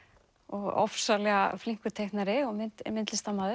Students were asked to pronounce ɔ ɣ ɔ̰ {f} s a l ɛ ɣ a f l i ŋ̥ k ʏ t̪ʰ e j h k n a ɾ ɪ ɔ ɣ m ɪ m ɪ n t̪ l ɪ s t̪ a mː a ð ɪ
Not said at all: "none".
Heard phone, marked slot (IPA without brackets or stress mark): f